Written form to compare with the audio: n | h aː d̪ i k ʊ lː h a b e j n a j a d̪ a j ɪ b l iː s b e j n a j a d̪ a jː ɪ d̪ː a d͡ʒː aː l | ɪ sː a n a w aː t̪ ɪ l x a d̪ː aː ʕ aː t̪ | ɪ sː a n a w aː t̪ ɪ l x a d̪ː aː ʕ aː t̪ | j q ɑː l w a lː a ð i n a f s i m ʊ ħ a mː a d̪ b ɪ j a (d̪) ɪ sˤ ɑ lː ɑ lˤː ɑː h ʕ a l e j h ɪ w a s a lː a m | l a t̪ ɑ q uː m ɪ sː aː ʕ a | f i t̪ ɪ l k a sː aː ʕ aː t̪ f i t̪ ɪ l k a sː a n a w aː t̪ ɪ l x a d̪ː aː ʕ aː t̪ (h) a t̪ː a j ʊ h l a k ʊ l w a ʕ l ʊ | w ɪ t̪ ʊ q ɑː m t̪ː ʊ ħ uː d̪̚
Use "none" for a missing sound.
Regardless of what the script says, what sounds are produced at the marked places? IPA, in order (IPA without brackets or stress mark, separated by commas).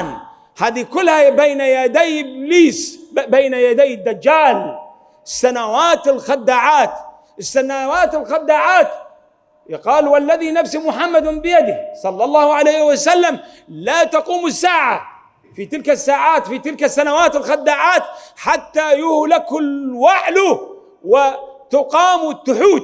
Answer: d̪, ħ